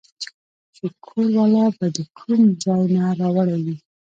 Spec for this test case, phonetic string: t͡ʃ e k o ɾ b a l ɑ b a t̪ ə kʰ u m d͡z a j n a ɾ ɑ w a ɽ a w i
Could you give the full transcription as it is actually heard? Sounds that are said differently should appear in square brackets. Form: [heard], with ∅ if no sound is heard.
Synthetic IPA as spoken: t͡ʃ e [kʰ] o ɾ [w] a l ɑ b a [d̪] ə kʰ u m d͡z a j n a ɾ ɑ w a ɽ a w i

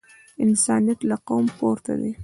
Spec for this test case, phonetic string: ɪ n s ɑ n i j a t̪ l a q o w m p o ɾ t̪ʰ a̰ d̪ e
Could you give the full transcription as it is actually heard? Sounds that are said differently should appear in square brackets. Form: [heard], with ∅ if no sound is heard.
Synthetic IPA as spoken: ɪ n s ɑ n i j a t̪ l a q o w m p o ɾ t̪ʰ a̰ d̪ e

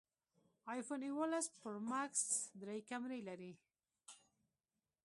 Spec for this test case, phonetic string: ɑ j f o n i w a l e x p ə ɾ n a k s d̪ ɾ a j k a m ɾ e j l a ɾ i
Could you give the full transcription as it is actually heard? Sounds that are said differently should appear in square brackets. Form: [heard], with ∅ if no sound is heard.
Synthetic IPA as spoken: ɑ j f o n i w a l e [s] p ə ɾ [m] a k s d̪ ɾ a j k a m ɾ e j l a ɾ i

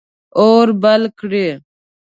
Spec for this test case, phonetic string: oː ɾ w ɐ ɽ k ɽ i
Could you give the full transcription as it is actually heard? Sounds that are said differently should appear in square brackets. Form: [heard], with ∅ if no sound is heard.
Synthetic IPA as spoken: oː ɾ [b] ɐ [l] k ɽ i

